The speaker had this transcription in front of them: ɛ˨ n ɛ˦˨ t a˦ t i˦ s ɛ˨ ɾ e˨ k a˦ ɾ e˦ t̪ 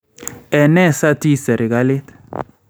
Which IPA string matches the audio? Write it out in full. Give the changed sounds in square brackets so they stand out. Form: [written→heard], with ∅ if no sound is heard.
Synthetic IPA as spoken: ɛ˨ n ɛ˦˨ [t→s] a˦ t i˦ s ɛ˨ ɾ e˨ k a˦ [ɾ→l] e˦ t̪